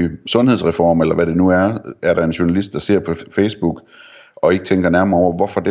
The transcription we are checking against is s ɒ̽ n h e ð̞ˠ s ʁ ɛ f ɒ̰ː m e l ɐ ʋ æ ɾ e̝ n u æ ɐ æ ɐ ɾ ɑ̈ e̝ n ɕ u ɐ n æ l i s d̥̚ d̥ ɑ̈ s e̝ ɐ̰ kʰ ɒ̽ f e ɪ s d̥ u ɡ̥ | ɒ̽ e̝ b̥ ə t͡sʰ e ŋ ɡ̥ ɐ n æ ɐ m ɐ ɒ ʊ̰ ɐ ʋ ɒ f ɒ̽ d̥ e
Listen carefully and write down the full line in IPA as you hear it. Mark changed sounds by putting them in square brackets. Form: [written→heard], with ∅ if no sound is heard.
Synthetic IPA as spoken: s [ɒ̽→ɔ̽] n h e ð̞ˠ s ʁ ɛ f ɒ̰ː m e l ɐ ʋ æ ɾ e̝ n u æ ɐ æ ɐ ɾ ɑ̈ e̝ n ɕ u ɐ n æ l i s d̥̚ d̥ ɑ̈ s e̝ ɐ̰ [kʰ→pʰ] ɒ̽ f e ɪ s [d̥→b̥] u ɡ̥ | ɒ̽ e̝ [b̥→ɡ̥] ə t͡sʰ e ŋ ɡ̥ ɐ n æ ɐ m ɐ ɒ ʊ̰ ɐ ʋ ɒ f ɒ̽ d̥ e